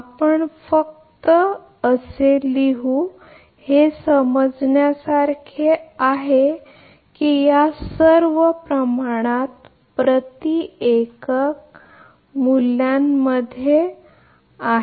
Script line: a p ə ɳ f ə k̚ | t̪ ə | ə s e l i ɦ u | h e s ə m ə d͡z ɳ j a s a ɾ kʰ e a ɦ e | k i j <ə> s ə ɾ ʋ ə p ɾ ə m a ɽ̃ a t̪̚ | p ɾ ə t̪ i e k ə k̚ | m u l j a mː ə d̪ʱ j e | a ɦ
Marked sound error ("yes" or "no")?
yes